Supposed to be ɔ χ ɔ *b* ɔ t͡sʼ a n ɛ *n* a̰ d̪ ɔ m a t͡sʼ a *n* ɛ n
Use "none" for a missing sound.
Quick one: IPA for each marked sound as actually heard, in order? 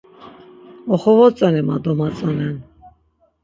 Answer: v, m, n

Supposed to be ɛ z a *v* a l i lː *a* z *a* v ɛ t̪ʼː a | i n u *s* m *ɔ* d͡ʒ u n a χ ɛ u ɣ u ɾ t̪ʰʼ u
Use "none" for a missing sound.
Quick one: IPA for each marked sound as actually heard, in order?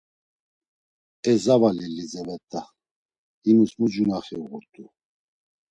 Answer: v, i, ɛ, s, u

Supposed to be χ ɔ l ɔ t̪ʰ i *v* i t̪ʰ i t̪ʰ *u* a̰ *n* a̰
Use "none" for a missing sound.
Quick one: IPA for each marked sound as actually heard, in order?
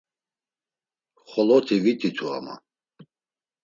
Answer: v, u, m

